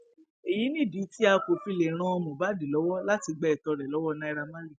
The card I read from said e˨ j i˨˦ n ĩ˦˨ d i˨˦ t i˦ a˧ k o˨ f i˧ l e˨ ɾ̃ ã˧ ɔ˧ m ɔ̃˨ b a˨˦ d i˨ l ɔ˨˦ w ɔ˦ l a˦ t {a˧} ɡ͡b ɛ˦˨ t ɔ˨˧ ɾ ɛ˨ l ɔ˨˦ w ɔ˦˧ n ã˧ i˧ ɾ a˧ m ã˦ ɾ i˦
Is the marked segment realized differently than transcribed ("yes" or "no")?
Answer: yes